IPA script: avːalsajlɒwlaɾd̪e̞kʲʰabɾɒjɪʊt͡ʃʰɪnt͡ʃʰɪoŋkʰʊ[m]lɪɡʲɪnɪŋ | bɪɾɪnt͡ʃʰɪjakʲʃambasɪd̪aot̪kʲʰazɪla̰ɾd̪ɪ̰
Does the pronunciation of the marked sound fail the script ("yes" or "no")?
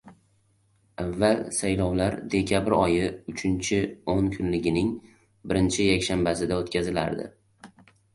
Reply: yes